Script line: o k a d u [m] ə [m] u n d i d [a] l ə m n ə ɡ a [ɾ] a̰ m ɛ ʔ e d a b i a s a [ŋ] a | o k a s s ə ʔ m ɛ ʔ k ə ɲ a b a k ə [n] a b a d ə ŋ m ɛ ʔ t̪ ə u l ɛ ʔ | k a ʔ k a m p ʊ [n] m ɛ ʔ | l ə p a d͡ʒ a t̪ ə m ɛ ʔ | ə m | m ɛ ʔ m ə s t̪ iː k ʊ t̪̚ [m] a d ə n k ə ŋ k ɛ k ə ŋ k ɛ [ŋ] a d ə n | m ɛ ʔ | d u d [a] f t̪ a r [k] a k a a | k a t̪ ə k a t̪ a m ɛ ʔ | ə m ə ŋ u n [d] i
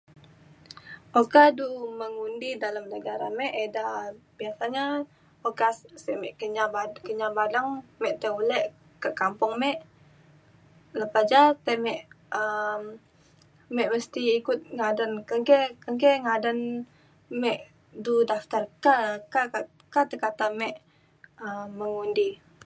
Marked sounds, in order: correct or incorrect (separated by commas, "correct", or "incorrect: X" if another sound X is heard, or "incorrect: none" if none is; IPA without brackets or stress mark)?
correct, incorrect: ŋ, correct, correct, incorrect: ɲ, incorrect: ɲ, incorrect: ŋ, incorrect: ŋ, correct, correct, correct, correct